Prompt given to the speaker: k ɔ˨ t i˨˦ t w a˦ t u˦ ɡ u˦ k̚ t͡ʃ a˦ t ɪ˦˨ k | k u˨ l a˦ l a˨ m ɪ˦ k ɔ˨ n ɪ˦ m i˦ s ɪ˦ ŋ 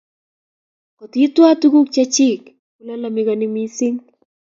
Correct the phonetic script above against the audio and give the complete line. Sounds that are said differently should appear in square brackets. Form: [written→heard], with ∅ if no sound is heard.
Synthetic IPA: k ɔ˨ t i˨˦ t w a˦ t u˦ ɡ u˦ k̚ t͡ʃ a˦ [t→t͡ʃ] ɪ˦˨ k | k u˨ l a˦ l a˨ m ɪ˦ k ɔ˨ n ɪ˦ m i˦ s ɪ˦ ŋ

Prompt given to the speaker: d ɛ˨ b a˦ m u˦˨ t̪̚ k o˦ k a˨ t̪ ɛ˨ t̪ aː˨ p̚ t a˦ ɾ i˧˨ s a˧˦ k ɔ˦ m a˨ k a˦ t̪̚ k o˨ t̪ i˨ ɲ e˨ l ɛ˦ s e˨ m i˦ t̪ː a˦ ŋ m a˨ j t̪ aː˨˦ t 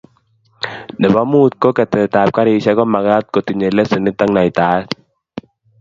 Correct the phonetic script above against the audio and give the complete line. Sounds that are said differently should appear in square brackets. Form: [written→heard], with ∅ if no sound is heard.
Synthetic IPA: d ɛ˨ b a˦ m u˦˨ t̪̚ k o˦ k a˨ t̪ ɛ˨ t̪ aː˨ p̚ [t→k] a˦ ɾ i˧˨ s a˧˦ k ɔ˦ m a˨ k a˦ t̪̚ k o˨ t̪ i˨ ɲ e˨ l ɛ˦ s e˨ [m→n] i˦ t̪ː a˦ ŋ [m→n] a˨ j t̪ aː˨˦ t

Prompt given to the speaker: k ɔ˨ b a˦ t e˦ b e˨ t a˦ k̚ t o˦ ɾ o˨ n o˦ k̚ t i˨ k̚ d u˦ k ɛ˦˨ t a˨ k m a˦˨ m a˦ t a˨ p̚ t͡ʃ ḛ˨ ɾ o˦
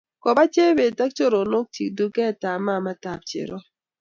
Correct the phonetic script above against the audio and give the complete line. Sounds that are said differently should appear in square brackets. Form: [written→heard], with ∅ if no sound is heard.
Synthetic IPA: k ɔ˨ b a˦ [t→t͡ʃ] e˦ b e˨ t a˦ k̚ [t→t͡ʃ] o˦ ɾ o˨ n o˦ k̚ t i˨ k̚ d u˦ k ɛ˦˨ t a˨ [k→∅] m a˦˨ m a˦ t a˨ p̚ t͡ʃ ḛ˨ ɾ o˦

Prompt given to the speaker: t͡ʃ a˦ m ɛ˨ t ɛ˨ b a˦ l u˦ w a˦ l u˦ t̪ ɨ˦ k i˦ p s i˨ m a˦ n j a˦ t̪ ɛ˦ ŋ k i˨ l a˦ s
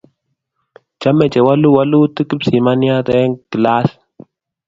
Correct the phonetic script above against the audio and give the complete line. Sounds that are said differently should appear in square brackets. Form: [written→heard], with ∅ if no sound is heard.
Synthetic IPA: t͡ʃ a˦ m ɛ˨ [t→t͡ʃ] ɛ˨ [b→w] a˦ l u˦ w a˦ l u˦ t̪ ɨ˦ k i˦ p s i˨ m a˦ n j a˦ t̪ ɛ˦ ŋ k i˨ l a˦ s

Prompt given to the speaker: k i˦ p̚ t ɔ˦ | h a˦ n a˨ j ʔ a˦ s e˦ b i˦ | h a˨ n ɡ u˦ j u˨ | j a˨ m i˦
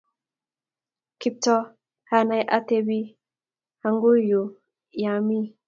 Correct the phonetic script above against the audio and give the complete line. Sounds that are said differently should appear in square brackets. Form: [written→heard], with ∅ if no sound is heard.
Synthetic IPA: k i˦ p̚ t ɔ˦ | h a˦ n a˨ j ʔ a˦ [s→t] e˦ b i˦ | h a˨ [n→ŋ] ɡ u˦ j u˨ | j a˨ m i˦

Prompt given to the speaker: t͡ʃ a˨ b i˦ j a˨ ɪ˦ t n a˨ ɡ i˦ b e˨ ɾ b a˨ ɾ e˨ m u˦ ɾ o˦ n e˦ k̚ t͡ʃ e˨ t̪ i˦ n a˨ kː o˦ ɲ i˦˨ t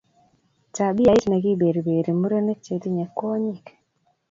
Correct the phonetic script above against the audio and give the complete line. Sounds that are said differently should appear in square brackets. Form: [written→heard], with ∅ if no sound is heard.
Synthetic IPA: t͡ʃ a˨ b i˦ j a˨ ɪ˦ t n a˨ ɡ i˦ b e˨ ɾ b [a˨→e˨] ɾ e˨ m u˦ ɾ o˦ n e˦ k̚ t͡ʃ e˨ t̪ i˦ [n→ɲ] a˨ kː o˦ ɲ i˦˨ [t→k]

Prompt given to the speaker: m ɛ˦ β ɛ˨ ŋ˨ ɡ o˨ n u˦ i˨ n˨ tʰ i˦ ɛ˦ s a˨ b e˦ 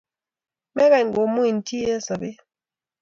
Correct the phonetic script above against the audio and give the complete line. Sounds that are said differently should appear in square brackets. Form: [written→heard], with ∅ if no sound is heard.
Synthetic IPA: m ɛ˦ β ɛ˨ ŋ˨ ɡ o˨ [n→m] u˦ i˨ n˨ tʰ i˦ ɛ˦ s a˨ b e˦

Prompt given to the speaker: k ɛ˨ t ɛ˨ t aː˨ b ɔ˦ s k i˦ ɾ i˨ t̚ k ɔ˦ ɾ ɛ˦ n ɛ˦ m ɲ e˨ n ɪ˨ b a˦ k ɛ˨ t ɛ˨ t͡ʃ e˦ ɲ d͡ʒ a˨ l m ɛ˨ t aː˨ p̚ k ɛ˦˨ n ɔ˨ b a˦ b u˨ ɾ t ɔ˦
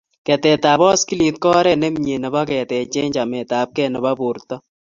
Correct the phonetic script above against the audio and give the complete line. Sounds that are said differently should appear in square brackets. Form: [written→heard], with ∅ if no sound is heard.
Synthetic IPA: k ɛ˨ t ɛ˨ t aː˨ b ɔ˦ s k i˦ [ɾ→l] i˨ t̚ k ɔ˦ ɾ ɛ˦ n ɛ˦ m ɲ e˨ n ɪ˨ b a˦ k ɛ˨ t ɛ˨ t͡ʃ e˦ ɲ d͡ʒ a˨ [l→∅] m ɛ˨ t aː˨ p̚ k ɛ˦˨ n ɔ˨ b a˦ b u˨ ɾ t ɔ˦

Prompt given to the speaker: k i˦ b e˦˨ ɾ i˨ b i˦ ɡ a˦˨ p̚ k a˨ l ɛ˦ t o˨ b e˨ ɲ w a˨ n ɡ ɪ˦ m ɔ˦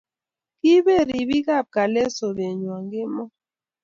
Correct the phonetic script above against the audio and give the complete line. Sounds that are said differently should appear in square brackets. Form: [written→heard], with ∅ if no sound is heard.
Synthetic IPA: k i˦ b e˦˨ ɾ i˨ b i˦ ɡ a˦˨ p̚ k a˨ l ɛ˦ [t→s] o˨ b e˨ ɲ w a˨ [n→ŋ] ɡ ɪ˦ m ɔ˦

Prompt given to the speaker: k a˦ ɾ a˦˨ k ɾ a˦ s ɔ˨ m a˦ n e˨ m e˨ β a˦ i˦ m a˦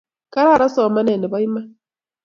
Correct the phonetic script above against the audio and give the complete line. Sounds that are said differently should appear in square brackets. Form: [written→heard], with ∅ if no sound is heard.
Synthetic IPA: k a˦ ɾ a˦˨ [k→∅] ɾ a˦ s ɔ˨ m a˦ n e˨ [m→n] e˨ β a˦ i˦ m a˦

